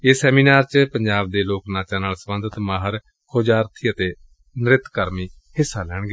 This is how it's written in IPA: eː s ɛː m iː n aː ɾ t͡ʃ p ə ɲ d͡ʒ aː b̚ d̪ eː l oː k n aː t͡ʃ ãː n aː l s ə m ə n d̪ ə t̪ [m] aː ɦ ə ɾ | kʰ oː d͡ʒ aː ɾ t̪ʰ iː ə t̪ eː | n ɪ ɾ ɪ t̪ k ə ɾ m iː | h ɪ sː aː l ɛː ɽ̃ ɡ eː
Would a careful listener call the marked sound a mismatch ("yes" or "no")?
no